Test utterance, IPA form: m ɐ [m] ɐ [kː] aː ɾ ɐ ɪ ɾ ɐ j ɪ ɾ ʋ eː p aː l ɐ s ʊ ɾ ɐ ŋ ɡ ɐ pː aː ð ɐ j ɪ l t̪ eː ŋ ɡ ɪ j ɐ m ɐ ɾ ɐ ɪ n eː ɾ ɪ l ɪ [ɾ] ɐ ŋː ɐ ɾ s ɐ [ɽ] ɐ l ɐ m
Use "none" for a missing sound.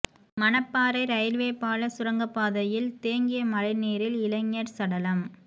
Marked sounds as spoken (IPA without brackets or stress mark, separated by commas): n, pː, l, ɽ